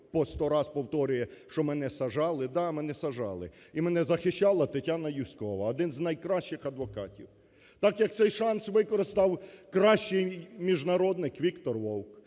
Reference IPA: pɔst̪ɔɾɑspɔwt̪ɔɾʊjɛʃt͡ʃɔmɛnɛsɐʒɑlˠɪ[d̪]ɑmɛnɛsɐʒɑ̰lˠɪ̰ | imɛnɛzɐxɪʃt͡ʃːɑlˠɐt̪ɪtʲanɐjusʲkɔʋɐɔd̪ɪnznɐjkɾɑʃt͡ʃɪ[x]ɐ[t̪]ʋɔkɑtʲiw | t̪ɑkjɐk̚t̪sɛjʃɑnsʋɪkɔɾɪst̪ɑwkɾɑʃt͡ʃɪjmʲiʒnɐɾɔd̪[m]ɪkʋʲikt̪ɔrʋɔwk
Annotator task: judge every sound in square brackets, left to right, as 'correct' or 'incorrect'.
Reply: correct, correct, incorrect: d̪, incorrect: n

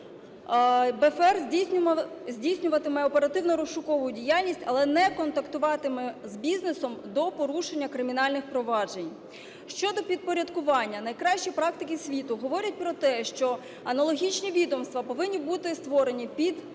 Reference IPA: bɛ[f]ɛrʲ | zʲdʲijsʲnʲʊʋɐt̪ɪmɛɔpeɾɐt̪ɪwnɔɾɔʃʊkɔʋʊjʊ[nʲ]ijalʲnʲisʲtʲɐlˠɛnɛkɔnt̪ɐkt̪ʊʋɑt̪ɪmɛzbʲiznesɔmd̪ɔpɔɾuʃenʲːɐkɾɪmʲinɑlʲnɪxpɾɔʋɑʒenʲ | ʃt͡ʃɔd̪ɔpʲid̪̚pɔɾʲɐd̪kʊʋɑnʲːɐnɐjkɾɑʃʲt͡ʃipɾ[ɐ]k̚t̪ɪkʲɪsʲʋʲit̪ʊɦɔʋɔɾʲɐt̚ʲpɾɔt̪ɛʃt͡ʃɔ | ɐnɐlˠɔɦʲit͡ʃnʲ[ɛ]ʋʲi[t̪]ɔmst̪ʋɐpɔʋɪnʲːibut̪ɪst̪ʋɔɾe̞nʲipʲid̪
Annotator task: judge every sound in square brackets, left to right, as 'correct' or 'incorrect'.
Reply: correct, incorrect: dʲ, incorrect: ɑ, incorrect: i, incorrect: d̪

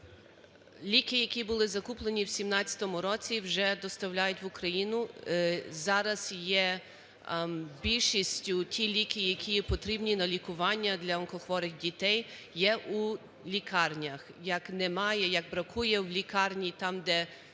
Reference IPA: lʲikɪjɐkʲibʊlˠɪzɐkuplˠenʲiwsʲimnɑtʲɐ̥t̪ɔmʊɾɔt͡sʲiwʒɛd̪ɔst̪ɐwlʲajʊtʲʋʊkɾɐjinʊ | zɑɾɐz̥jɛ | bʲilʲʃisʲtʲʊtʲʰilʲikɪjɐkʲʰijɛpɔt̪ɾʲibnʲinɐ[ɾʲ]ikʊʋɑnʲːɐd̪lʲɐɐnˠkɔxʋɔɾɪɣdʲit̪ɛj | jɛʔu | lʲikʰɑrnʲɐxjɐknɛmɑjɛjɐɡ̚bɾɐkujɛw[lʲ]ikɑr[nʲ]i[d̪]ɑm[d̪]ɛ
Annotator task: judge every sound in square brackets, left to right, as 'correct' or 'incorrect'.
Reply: incorrect: lʲ, correct, correct, incorrect: t̪, correct

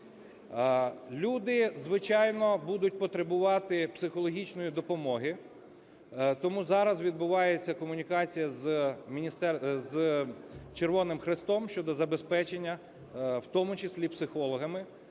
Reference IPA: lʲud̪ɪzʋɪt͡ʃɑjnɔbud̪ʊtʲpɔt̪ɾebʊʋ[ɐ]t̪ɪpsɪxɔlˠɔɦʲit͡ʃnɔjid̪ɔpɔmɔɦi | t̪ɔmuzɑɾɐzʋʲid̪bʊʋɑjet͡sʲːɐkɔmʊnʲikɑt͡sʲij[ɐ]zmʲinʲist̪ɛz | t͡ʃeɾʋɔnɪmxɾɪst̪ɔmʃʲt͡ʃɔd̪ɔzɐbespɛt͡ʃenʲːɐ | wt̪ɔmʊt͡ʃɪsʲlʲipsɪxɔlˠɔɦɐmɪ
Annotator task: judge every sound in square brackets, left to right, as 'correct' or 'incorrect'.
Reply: incorrect: ɑ, correct

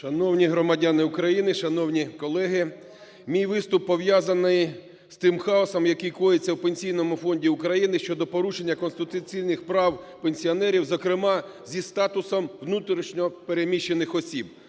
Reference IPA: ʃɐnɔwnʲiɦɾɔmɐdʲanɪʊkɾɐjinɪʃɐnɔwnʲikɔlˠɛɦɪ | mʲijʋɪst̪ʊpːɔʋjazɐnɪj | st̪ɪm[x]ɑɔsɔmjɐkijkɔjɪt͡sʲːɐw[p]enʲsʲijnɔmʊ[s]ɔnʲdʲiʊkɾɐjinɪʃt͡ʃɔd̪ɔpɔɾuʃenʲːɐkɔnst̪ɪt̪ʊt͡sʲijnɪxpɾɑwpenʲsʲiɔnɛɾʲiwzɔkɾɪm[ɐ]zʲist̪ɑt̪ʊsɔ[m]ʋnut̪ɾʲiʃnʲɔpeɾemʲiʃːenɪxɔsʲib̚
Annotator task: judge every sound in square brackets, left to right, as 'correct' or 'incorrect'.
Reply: correct, correct, incorrect: f, incorrect: ɑ, correct

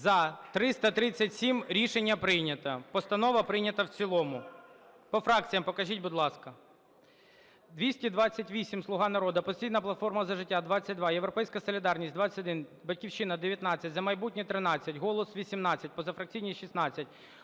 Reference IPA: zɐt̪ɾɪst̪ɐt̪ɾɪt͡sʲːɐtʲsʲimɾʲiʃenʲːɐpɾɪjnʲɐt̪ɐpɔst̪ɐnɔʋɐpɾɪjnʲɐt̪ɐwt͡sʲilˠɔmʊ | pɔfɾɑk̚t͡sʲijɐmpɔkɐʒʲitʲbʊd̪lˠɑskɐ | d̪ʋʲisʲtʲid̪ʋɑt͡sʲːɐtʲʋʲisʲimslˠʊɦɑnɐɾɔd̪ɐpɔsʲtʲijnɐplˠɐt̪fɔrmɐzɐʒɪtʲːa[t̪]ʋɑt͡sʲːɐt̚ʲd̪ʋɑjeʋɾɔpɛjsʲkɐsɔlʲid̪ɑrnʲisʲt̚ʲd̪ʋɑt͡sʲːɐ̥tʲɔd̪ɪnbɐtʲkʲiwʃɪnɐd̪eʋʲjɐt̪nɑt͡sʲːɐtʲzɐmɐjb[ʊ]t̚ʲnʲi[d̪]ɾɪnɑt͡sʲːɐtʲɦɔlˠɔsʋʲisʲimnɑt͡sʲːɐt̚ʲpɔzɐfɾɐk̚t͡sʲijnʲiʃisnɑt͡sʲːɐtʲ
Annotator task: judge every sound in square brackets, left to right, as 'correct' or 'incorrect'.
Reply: incorrect: d̪, incorrect: u, incorrect: t̪

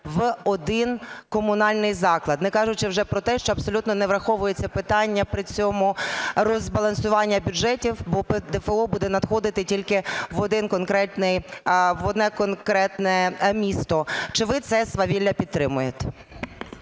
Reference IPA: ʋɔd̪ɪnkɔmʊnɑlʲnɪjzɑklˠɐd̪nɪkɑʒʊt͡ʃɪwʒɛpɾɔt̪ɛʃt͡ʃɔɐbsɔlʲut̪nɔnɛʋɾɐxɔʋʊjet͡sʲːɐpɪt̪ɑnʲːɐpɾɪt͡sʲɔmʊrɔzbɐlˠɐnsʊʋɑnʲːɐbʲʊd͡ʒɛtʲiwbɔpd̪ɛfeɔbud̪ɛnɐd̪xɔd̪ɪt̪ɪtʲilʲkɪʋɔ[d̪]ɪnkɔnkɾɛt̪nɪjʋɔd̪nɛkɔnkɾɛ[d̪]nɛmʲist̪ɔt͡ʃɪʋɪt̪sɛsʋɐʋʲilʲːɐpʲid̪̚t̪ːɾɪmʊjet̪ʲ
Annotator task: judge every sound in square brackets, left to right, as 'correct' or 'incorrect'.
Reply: correct, incorrect: t̪

